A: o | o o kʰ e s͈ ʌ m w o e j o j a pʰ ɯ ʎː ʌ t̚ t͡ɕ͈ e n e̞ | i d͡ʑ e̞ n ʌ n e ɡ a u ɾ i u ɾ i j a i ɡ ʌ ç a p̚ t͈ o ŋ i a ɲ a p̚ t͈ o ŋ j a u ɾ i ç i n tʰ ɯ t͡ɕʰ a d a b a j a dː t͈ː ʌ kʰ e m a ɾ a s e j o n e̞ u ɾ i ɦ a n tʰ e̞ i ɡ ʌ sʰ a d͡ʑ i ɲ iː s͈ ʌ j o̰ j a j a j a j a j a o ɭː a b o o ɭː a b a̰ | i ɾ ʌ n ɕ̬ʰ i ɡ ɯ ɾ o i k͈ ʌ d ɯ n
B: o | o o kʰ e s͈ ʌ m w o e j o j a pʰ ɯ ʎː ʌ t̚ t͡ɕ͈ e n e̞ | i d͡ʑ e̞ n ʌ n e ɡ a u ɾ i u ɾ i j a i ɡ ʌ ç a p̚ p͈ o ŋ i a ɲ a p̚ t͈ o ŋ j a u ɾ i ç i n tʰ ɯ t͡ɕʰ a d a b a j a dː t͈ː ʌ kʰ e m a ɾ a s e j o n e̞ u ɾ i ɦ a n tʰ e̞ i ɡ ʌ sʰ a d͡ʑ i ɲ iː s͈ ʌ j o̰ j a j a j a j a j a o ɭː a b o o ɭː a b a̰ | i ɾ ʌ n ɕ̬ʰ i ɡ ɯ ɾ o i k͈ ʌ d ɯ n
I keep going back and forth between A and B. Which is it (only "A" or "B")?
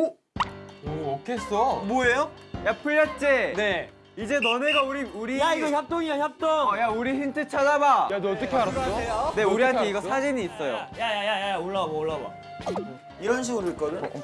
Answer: A